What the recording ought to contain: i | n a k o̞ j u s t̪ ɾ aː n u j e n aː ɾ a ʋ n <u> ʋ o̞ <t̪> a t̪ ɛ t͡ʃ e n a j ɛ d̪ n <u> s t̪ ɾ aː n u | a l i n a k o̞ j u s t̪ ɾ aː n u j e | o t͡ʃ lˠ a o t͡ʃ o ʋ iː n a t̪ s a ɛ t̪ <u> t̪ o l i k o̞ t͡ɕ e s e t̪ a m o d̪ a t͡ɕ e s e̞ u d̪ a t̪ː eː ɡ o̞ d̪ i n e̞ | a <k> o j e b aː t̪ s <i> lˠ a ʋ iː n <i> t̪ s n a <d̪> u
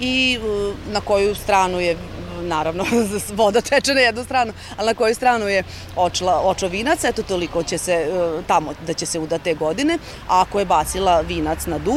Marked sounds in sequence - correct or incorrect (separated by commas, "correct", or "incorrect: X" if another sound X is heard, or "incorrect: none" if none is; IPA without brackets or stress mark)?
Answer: incorrect: o, incorrect: d̪, correct, incorrect: o, correct, correct, incorrect: a, correct